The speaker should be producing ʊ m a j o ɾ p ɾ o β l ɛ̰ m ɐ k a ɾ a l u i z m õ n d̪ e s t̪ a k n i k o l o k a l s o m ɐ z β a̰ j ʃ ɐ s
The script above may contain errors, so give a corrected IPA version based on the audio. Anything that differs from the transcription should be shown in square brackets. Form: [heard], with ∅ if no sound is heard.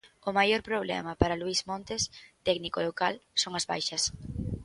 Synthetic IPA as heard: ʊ m a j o ɾ p ɾ o β l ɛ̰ m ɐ [p] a ɾ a l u i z m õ n [t̪] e s t̪ [ɛ] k n i k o l o k a l s o [ŋ] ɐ z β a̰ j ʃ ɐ s

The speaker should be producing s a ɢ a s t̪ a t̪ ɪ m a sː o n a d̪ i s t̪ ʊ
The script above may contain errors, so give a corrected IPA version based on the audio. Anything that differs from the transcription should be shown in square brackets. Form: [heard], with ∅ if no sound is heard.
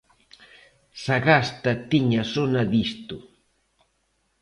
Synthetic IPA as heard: s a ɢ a s t̪ a t̪ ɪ [ɲ] a [s] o n a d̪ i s t̪ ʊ

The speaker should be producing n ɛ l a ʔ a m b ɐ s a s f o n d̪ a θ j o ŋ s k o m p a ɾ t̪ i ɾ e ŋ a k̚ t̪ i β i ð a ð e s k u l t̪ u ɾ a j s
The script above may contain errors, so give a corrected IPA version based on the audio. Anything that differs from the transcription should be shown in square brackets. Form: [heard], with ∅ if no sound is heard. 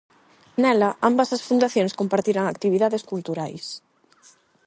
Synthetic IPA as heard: n ɛ l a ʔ a m b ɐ s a s f [u] n d̪ a θ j o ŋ s k o m p a ɾ t̪ i ɾ [a] ŋ a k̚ t̪ i β i ð a ð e s k u l t̪ u ɾ a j s

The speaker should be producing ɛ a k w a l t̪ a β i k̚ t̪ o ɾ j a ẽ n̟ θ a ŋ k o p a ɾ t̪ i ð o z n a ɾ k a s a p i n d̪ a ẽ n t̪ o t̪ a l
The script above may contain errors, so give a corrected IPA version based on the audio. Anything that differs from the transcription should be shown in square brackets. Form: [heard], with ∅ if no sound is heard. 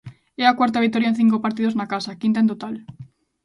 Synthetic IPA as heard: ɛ a k w a [ɾ] t̪ a β i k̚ t̪ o ɾ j a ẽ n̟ θ [i] ŋ k o p a ɾ t̪ i ð o z n a [∅] k a s a [k] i n [t̪] a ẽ n t̪ o t̪ a l

